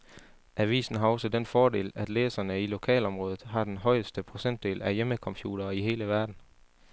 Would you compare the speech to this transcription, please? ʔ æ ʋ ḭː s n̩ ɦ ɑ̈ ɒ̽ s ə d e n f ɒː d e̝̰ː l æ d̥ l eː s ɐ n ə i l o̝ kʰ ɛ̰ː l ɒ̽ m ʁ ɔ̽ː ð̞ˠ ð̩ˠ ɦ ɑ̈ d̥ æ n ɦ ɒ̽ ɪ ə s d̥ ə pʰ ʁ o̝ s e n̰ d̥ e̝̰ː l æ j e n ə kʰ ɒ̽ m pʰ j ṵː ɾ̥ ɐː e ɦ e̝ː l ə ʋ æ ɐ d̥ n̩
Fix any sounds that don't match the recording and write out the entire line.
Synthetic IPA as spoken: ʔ æ ʋ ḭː s n̩ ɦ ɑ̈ ɒ̽ s ə d e n f ɒː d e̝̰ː l æ d̥ l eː s ɐ n ə i l o̝ kʰ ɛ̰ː l ɒ̽ m ʁ ɔ̽ː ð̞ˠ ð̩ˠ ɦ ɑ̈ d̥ e n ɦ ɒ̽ ɪ ə s d̥ ə pʰ ʁ o̝ s e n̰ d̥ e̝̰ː l æ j e m ə kʰ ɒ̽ m pʰ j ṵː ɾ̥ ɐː i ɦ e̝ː l ə ʋ æ ɐ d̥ n̩

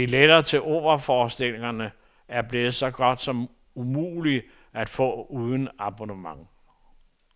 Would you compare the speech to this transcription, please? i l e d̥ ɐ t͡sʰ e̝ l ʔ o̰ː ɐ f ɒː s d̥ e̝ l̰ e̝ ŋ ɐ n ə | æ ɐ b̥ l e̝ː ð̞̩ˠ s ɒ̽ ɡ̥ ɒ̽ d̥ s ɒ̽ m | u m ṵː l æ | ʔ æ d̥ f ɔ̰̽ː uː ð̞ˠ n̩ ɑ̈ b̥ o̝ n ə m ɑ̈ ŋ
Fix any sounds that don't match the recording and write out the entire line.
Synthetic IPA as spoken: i l e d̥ ɐ t͡sʰ e̝ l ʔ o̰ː ɐ f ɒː s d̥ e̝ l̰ e̝ ŋ ɐ n ə | æ ɐ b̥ l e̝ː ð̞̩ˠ s ɒ̽ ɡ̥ ɒ̽ d̥ s ɒ̽ m | u m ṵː l i | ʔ æ d̥ f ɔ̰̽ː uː ð̞ˠ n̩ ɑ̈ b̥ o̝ n ə m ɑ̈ ŋ

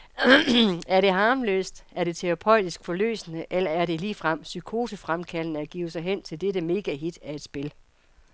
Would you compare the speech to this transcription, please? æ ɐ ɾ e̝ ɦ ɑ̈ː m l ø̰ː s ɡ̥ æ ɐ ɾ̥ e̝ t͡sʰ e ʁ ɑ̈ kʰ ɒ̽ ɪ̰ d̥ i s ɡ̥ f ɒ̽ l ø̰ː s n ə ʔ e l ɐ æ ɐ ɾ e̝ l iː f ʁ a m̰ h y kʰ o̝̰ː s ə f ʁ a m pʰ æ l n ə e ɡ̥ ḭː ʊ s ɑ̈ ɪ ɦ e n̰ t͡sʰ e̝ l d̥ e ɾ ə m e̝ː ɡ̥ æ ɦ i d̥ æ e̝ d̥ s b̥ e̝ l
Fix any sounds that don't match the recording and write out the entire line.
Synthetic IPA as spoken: æ ɐ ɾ e̝ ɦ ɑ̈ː m l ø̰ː s d̥ æ ɐ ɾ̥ e̝ t͡sʰ e ʁ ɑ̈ pʰ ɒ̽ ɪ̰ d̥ i s ɡ̥ f ɒ̽ l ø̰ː s n ə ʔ e l ɐ æ ɐ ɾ e̝ l iː f ʁ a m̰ s y kʰ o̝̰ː s ə f ʁ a m kʰ æ l n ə æ ɡ̥ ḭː ʊ s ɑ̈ ɪ ɦ e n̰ t͡sʰ e̝ l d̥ e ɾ ə m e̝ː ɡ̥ æ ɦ i d̥ æ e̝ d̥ s b̥ e̝ l

